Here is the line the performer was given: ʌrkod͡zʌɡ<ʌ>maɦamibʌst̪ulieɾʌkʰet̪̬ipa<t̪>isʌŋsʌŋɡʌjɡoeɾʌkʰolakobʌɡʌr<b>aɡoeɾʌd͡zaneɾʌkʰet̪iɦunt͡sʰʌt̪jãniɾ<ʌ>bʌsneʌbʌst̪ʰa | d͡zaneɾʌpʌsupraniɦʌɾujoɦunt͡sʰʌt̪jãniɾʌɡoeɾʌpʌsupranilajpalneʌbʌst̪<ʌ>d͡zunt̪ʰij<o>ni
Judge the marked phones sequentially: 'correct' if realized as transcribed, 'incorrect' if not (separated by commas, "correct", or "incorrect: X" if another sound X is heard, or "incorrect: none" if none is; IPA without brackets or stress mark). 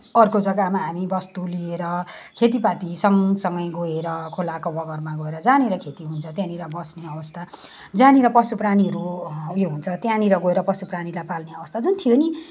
incorrect: a, correct, incorrect: m, correct, incorrect: a, correct